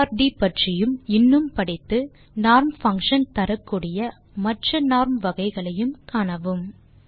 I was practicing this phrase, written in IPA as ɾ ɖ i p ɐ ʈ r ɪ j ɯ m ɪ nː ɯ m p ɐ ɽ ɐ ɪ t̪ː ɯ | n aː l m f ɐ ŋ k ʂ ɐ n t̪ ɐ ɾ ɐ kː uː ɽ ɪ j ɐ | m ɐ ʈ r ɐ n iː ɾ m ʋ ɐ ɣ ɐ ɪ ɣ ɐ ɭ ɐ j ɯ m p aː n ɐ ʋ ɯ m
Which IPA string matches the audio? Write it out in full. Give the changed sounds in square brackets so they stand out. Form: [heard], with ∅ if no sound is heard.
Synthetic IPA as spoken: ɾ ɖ i p ɐ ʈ r ɪ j ɯ m ɪ nː ɯ m p ɐ ɽ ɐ ɪ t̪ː ɯ | n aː [ɾ] m f ɐ ŋ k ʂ ɐ n t̪ ɐ ɾ ɐ kː uː ɽ ɪ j ɐ | m ɐ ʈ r ɐ n [aː] ɾ m ʋ ɐ ɣ ɐ ɪ ɣ ɐ ɭ ɐ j ɯ m [k] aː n ɐ ʋ ɯ m

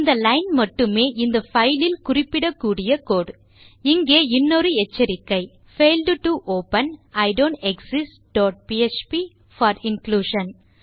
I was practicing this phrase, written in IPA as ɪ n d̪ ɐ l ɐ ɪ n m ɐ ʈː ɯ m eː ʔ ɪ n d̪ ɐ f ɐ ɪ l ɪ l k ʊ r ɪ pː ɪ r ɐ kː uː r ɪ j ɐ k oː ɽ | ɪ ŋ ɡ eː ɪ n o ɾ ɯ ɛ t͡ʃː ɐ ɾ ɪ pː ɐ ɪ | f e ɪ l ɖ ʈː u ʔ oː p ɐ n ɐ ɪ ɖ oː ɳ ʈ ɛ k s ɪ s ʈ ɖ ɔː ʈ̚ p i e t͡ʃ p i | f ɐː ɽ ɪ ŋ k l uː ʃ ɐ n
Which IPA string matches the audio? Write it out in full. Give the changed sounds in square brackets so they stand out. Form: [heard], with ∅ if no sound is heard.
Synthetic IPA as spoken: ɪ n d̪ ɐ l ɐ ɪ n m ɐ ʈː ɯ m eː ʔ ɪ n d̪ ɐ f ɐ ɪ l ɪ l k ʊ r ɪ pː ɪ [ɽ] ɐ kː uː [ɽ] ɪ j ɐ k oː ɽ | ɪ ŋ ɡ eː ɪ [nː] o ɾ ɯ ɛ t͡ʃː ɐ ɾ ɪ [kː] ɐ ɪ | f e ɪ l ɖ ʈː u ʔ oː p ɐ n ɐ ɪ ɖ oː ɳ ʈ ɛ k s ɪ s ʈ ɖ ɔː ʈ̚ p i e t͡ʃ p i | f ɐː [ɾ] ɪ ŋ k l uː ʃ ɐ n

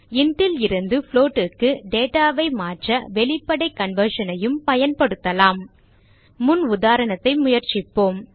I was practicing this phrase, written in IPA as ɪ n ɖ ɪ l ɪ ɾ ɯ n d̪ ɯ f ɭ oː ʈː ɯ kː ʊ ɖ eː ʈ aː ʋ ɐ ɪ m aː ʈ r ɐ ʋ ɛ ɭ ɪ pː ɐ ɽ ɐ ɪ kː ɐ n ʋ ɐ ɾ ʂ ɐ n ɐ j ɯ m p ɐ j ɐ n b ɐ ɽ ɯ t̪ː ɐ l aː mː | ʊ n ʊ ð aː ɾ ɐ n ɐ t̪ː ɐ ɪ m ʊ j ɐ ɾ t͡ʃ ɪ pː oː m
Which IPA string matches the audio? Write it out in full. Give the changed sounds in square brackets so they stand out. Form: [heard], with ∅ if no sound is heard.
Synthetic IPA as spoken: ɪ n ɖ ɪ l ɪ ɾ ɯ n d̪ ɯ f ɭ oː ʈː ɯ kː [ɯ] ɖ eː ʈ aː ʋ ɐ ɪ m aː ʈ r ɐ ʋ ɛ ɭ ɪ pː ɐ ɽ ɐ ɪ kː ɐ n ʋ ɐ ɾ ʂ ɐ n ɐ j ɯ m p ɐ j ɐ n [p] ɐ ɽ ɯ t̪ː ɐ l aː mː | ʊ n ʊ ð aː ɾ ɐ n ɐ t̪ː ɐ ɪ m ʊ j ɐ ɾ t͡ʃ ɪ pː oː m

